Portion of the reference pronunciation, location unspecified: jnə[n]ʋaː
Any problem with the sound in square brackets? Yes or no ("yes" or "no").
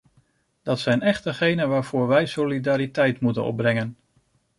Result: no